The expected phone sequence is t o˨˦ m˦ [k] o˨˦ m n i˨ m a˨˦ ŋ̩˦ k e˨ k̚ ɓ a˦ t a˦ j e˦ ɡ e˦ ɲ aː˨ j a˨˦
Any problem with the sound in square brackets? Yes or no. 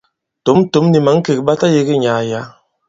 yes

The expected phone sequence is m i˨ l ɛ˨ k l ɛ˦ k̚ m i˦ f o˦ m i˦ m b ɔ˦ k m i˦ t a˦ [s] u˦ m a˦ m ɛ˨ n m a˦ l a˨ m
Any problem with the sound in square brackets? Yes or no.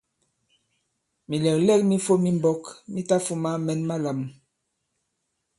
yes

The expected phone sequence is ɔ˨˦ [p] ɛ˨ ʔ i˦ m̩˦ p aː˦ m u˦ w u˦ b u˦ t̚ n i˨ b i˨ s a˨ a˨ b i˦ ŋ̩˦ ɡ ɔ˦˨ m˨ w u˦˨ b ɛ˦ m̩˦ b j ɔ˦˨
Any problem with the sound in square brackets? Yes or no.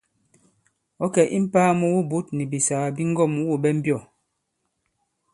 yes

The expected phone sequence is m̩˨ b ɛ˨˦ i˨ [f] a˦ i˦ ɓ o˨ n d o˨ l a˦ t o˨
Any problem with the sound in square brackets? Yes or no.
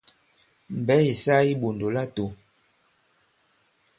yes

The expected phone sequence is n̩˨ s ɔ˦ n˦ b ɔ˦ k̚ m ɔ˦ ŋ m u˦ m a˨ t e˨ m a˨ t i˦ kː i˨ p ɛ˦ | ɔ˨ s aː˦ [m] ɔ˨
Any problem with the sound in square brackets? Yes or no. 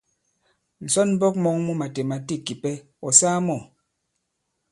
no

